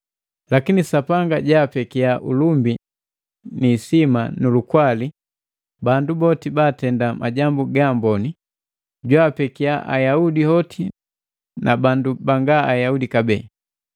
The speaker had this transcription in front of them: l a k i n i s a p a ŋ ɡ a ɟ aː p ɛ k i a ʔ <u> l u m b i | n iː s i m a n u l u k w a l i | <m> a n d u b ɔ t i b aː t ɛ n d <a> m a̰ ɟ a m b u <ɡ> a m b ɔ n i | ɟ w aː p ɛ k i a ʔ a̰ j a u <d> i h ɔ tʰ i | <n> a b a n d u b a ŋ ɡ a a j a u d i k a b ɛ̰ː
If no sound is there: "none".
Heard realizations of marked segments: u, b, a, ɡ, d, n

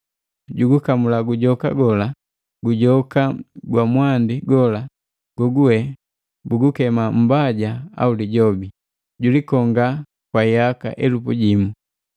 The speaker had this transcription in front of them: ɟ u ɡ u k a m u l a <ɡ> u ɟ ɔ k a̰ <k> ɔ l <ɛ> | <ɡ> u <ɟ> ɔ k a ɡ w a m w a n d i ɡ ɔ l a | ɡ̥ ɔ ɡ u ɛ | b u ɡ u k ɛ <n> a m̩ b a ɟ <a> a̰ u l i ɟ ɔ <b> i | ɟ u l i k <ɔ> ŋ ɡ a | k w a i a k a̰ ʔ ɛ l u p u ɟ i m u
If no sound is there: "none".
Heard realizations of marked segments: ɡ, ɡ, a, ɡ, ɟ, m, a, b, ɔ

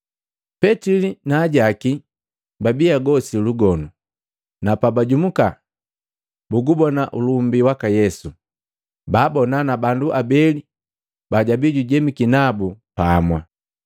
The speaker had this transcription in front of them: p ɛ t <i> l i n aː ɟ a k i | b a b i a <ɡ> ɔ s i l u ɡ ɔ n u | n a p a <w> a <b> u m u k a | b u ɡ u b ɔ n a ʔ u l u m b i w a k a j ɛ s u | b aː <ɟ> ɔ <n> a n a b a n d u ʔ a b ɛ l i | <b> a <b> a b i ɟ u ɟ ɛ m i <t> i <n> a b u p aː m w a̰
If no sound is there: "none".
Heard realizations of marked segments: i, ɡ, b, ɟ, b, n, b, ɟ, k, n

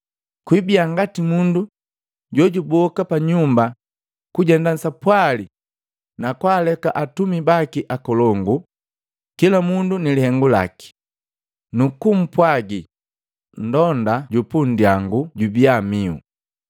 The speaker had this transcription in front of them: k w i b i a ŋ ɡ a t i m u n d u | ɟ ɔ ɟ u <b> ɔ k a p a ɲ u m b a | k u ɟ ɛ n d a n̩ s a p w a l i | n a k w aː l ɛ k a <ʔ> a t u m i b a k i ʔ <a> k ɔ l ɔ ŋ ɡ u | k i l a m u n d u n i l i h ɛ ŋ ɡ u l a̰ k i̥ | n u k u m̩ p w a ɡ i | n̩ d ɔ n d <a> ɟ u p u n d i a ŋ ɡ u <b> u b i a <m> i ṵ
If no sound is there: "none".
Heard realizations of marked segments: b, ʔ, a, a, ɟ, m

